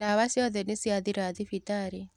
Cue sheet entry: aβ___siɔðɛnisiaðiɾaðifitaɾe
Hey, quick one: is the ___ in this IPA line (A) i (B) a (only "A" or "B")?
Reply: B